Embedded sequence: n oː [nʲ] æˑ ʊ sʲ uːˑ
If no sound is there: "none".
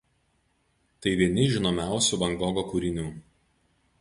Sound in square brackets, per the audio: mʲ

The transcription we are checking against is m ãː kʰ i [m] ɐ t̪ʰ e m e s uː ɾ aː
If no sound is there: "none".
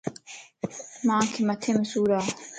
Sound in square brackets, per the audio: m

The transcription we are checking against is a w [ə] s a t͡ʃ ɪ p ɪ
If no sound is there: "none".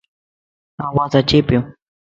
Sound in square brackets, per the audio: a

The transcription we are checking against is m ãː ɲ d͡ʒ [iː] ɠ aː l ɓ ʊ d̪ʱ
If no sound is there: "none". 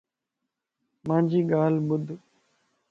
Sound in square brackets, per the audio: iː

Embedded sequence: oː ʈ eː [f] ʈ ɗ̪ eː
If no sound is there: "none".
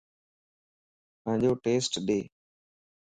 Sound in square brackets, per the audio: s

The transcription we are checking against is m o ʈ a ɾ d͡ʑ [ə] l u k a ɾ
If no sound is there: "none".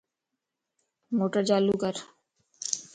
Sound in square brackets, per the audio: a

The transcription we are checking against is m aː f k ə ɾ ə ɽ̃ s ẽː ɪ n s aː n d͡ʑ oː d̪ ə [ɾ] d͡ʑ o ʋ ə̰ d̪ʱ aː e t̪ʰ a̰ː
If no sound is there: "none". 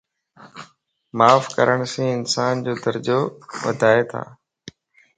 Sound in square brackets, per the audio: ɾ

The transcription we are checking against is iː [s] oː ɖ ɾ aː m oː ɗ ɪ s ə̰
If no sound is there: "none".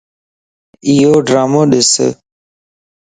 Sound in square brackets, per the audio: none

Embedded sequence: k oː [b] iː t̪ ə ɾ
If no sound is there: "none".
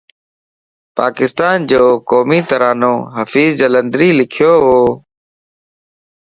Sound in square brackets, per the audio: m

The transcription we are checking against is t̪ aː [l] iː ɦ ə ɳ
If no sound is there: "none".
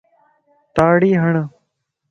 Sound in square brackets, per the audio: ɽ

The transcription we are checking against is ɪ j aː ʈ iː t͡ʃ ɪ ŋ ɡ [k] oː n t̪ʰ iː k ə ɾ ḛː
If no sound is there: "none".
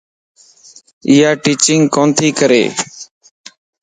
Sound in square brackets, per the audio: k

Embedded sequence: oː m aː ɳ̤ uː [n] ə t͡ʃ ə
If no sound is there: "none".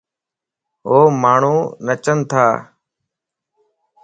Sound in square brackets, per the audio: n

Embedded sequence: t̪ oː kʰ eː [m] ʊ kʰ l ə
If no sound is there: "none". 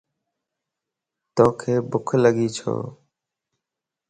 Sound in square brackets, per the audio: b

